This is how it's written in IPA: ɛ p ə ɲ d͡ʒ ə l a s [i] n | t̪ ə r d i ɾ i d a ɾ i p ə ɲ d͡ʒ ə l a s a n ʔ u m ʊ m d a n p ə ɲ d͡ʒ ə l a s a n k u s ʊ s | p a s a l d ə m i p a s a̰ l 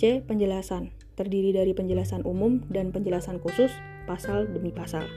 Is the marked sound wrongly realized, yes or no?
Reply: yes